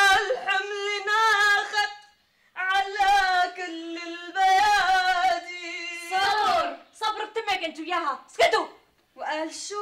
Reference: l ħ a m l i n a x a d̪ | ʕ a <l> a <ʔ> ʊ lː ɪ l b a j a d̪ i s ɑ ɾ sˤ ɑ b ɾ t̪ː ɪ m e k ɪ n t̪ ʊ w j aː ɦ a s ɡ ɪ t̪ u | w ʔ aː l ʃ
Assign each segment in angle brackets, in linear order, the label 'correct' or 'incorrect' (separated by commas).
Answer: correct, incorrect